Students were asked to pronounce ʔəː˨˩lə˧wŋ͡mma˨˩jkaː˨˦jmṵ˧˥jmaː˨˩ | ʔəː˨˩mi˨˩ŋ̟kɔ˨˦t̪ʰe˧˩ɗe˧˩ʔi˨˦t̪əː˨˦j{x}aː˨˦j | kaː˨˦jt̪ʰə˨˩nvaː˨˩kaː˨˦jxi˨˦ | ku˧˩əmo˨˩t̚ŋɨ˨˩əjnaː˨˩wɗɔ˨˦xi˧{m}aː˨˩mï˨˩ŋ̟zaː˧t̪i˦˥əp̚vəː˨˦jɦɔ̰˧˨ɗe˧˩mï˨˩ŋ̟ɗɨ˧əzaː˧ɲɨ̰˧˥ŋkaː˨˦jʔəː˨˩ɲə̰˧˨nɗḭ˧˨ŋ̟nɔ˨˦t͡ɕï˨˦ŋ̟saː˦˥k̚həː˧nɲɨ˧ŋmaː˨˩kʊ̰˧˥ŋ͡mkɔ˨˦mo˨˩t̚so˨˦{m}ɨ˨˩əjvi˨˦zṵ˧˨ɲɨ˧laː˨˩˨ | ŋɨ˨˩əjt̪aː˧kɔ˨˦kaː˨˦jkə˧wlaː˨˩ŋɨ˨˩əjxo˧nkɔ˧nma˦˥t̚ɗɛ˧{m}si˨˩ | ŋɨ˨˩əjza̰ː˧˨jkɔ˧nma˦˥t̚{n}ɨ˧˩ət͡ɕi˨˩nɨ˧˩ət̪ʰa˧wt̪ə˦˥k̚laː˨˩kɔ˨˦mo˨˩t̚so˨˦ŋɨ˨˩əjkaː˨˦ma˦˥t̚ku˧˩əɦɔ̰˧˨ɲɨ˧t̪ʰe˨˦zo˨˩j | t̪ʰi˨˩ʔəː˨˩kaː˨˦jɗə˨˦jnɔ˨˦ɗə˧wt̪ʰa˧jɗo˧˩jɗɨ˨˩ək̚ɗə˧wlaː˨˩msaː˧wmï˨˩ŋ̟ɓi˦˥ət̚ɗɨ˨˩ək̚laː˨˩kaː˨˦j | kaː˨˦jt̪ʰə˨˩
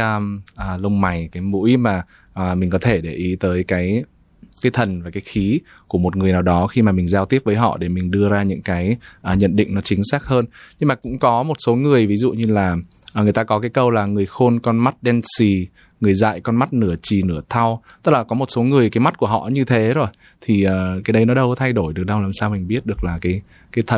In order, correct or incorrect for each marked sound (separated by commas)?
incorrect, correct, incorrect, incorrect, correct